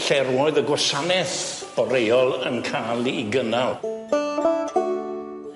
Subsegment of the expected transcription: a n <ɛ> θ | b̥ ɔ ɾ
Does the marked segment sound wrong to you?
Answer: no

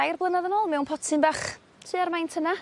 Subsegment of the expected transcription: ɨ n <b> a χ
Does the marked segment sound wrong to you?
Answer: no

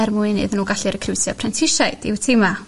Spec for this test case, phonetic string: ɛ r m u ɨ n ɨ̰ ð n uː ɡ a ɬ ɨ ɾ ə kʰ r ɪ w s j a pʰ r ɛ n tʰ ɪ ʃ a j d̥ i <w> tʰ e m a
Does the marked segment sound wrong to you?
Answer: no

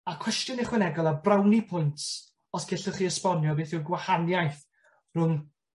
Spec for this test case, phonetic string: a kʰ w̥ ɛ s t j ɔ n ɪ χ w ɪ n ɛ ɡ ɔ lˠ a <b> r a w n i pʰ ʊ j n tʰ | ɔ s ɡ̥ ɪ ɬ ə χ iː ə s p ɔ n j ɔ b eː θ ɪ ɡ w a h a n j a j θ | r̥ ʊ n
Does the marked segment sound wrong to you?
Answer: no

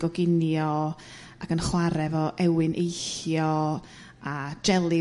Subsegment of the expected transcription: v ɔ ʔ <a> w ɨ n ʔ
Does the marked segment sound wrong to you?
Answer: yes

